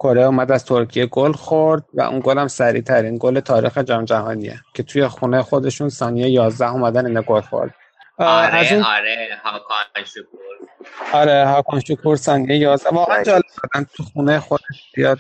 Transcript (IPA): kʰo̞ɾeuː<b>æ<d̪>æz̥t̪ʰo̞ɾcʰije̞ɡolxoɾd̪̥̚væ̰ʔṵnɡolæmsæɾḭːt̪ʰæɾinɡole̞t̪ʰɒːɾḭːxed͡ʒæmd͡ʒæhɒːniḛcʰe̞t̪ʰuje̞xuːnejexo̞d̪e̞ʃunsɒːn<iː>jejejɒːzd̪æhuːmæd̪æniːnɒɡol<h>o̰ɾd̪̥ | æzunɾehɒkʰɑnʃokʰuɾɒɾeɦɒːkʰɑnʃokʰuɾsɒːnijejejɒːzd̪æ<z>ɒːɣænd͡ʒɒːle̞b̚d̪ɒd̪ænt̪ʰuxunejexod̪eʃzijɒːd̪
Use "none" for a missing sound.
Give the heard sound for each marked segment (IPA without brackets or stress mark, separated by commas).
m, d̪, i, x, v